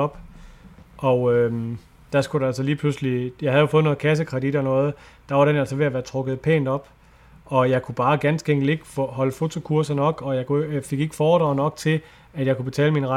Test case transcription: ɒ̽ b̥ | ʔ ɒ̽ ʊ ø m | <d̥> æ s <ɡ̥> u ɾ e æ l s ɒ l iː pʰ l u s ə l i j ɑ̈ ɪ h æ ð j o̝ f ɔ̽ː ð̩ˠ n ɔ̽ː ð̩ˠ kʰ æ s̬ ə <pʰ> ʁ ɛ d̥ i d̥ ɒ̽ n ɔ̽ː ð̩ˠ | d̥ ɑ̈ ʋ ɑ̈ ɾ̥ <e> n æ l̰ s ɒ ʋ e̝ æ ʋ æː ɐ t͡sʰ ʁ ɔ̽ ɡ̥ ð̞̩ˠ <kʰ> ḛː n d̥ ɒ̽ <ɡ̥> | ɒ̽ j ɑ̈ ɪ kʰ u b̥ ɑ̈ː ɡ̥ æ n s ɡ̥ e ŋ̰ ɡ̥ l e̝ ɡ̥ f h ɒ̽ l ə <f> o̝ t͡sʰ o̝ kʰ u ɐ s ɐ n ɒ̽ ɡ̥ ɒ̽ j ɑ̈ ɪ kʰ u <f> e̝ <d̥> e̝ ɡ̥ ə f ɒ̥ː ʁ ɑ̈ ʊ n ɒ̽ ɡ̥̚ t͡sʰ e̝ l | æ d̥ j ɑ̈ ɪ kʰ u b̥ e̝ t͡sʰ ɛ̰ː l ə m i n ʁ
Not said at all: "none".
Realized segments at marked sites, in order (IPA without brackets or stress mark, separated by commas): d̥, ɡ̥, kʰ, e, pʰ, b̥, f, f, ɡ̥